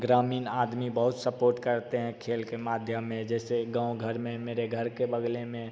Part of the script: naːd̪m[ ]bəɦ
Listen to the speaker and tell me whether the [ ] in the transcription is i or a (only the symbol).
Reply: i